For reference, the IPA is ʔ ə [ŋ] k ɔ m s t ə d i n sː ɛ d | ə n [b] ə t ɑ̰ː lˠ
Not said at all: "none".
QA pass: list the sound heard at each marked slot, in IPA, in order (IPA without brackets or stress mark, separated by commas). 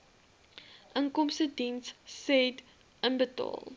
ŋ, b